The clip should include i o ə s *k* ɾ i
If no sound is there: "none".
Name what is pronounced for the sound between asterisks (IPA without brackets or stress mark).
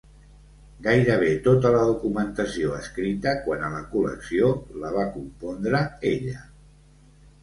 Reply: k